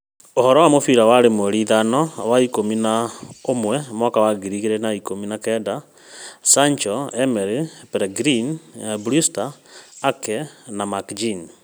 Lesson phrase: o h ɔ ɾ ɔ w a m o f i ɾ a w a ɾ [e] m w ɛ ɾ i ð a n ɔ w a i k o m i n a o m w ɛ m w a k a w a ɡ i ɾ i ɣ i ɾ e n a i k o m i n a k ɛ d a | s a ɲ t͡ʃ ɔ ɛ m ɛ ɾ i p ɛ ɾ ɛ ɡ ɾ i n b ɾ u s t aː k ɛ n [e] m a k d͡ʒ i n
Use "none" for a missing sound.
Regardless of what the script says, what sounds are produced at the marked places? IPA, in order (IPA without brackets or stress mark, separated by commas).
e, a